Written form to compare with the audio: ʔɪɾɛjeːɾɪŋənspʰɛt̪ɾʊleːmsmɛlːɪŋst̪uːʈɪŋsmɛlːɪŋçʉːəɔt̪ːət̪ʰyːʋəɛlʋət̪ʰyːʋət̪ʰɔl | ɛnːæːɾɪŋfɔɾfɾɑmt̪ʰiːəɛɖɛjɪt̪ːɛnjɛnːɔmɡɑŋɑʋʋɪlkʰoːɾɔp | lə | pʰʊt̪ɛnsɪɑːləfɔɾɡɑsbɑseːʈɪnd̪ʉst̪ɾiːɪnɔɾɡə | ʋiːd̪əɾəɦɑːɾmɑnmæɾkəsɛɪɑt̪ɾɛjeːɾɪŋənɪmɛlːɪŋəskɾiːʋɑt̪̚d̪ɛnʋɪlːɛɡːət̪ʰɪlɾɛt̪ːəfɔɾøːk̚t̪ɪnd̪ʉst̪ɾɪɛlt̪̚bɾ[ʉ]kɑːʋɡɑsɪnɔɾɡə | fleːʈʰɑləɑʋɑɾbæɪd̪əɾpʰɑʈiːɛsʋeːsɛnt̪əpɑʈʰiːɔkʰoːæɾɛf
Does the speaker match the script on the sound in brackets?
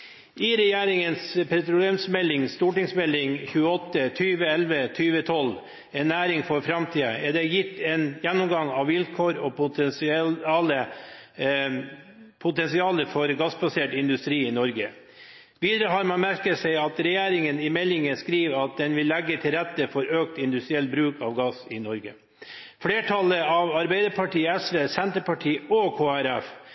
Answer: no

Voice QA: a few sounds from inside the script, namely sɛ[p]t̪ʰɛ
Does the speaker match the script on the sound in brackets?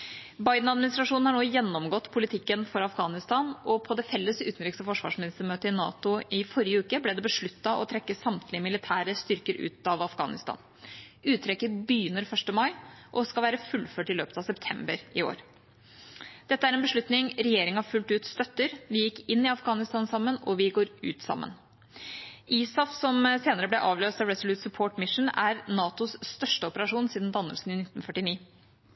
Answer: yes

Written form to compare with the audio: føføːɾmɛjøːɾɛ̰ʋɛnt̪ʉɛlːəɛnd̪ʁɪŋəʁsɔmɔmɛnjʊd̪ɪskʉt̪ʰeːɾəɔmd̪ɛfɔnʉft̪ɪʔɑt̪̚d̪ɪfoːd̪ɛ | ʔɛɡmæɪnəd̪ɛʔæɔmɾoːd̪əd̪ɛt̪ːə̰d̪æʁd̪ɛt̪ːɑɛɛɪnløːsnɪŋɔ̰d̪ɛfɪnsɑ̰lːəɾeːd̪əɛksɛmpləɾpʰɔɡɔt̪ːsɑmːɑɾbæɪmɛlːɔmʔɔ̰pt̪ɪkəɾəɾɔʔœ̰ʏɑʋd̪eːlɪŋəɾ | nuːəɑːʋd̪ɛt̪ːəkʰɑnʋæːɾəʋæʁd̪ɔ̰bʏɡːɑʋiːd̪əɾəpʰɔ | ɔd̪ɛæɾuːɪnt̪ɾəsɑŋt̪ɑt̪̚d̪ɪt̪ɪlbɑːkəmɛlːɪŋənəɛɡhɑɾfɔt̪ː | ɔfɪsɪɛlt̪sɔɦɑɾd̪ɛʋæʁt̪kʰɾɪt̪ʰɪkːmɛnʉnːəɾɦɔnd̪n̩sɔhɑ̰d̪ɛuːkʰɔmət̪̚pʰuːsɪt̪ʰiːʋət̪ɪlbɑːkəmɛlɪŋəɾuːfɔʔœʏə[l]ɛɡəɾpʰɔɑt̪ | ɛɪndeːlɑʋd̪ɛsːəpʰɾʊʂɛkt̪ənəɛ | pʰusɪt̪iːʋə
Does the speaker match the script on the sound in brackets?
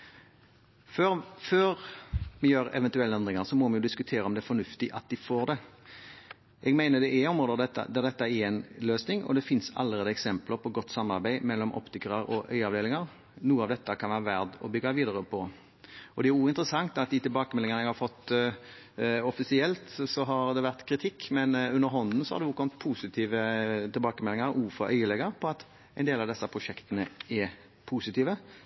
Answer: yes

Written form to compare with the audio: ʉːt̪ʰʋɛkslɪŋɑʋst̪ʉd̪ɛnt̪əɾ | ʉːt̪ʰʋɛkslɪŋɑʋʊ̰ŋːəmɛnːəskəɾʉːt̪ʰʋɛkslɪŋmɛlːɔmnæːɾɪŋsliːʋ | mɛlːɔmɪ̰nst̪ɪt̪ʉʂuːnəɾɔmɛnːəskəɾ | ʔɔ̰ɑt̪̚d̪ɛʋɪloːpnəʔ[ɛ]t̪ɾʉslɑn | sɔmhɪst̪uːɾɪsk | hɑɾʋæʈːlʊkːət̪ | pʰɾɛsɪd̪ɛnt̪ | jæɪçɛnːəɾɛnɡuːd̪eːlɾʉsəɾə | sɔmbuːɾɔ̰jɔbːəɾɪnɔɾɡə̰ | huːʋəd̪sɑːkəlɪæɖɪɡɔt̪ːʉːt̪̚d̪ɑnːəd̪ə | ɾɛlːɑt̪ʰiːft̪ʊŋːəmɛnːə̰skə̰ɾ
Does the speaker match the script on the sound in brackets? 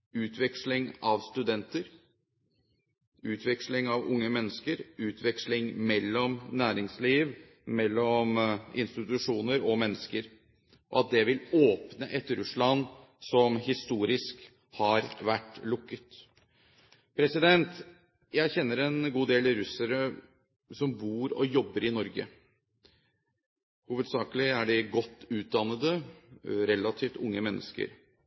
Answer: yes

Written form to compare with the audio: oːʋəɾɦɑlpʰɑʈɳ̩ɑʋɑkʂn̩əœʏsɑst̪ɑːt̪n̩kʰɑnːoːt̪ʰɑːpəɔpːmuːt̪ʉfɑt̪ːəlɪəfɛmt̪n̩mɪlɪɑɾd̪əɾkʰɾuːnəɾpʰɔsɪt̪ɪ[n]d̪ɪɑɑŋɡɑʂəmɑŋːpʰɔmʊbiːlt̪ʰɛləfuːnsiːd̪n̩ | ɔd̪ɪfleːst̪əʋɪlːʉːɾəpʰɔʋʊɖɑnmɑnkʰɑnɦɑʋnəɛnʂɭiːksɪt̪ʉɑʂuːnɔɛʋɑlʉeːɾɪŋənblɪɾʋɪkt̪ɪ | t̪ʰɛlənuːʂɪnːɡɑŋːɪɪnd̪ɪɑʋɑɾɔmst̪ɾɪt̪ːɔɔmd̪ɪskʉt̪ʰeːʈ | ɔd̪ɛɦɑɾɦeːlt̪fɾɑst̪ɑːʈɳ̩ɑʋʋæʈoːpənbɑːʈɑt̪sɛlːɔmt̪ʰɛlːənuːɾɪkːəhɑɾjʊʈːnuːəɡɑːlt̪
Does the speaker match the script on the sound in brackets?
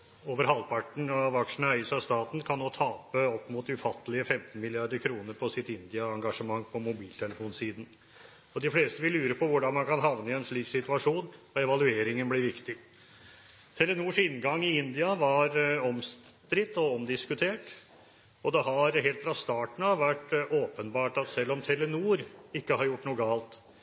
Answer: yes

